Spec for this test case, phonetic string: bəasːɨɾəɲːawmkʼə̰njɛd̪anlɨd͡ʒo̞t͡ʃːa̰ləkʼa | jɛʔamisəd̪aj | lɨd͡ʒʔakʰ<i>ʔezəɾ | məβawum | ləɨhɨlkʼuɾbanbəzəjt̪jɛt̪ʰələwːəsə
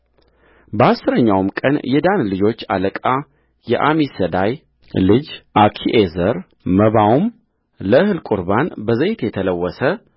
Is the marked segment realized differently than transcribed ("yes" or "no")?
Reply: no